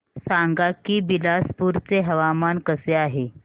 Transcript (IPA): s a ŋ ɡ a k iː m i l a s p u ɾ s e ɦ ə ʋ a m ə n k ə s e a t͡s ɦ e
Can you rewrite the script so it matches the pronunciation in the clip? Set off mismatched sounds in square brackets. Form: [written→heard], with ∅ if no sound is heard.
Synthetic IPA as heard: s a ŋ ɡ a k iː [m→b] i l a s p u ɾ [s→t͡s] e ɦ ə ʋ a m [ə→a] n k ə s e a [t͡s→∅] ɦ e